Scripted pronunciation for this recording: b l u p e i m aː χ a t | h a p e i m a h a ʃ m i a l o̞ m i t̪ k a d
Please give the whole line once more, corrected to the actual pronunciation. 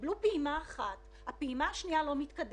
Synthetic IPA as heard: b l u p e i m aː χ a t | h a p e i m a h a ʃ n i a l o̞ m i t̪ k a d

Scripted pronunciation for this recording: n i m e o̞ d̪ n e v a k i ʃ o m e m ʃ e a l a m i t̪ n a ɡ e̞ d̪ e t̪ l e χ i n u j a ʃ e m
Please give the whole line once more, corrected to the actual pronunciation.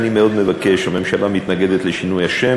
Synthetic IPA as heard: n i m e o̞ d̪ m e v a k e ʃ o m e m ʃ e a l a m i t̪ n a ɡ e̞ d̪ e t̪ l e ʃ i n u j a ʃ e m

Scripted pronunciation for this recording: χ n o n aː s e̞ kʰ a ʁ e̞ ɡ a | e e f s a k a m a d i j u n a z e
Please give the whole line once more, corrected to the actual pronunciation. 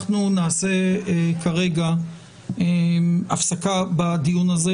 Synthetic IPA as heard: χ n u n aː s e̞ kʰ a ʁ e̞ ɡ a | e a f s a k a b a d i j u n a z e

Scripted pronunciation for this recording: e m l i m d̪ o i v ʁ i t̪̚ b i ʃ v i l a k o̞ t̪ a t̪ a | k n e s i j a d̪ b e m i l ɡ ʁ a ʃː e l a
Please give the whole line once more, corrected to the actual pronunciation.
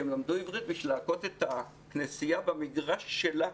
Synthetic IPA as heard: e m l a m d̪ u i v ʁ i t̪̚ b i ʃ v i l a k o̞ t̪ e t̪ a | k n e s i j a b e m i ɡ ʁ a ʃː e l a

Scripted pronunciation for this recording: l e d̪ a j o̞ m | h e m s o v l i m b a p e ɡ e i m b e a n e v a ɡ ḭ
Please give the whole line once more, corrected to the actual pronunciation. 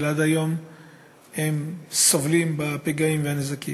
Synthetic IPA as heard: l a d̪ a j o̞ m | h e m s o v l i m b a p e ɡ a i m v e a n e z a k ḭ

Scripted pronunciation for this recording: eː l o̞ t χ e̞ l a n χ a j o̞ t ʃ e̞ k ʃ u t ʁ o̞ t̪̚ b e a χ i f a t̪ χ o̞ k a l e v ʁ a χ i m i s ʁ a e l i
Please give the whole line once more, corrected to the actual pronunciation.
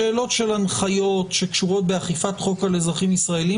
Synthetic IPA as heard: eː l o̞ t ʃ e̞ l a n χ a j o̞ t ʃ e̞ k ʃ u ʁ o̞ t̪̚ b e a χ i f a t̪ χ o̞ k a l e z ʁ a χ i m i s ʁ a e l i

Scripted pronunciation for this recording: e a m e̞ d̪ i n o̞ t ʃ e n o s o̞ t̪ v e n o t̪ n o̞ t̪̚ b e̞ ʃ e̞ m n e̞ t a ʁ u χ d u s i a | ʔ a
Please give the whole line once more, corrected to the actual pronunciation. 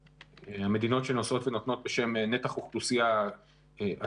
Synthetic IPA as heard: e a m e̞ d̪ i n o̞ t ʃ e n o s o̞ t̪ v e n o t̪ n o̞ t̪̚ b e̞ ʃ e̞ m n e̞ t a χ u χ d u s i a | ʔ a

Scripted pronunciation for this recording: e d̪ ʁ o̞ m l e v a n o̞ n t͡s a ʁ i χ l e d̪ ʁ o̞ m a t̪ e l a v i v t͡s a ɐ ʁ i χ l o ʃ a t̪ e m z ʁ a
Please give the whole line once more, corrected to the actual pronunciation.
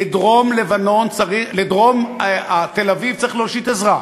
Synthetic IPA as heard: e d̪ ʁ o̞ m l e v a n o̞ n t͡s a ʁ i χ l e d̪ ʁ o̞ m a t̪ e l a v i v t͡s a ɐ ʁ i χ l o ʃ i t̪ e z ʁ a

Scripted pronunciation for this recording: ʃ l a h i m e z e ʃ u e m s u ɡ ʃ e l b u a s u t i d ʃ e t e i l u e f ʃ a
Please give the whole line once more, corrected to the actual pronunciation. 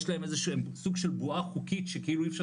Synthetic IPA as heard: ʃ l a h e m e z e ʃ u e m s u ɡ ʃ e l b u a χ u k i t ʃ e k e i l u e f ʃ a

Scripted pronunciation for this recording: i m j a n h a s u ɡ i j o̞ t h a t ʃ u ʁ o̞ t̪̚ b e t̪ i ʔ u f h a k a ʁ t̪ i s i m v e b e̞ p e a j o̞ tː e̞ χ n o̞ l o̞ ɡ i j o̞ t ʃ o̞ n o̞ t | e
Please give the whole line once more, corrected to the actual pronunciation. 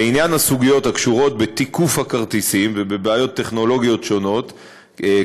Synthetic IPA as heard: i n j a n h a s u ɡ i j o̞ t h a k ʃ u ʁ o̞ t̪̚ b e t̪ i k u f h a k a ʁ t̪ i s i m v e b e̞ b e a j o̞ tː e̞ χ n o̞ l o̞ ɡ i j o̞ t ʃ o̞ n o̞ t | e

